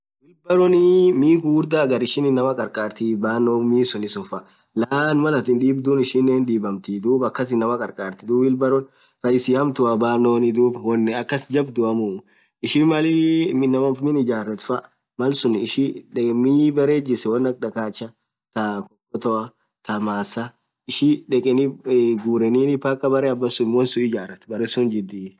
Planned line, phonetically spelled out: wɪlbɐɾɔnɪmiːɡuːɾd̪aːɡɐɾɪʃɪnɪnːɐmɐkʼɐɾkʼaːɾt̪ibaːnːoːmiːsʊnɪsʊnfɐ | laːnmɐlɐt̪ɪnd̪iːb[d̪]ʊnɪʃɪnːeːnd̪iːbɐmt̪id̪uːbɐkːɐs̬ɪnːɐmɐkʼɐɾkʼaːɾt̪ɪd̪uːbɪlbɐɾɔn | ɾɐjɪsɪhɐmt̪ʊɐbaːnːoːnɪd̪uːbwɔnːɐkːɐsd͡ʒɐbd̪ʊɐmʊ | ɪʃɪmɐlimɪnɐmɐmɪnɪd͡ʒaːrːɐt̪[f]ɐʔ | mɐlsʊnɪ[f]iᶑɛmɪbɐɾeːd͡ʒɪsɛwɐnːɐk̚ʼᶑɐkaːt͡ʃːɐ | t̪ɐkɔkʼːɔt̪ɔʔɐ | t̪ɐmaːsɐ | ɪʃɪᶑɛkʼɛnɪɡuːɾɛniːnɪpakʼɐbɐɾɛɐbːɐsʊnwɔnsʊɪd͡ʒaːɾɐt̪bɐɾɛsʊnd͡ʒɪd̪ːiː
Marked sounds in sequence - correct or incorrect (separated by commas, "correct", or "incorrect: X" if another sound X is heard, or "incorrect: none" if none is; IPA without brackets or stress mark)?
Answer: correct, correct, incorrect: ʃ